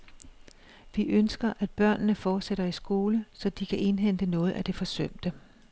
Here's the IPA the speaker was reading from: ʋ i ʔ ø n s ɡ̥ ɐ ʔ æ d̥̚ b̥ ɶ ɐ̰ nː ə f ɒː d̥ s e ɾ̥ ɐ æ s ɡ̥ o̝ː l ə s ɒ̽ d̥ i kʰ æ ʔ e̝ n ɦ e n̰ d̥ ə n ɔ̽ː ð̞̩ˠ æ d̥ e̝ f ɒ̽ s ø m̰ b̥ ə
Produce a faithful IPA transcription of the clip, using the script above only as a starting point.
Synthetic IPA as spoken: ʋ i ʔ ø n s ɡ̥ ɐ ʔ æ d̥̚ b̥ ɶ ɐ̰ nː ə f ɒː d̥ s e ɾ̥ ɐ i s ɡ̥ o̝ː l ə s ɒ̽ d̥ i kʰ æ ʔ e̝ n ɦ e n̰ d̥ ə n ɔ̽ː ð̞̩ˠ æ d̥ e̝ f ɒ̽ s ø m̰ d̥ ə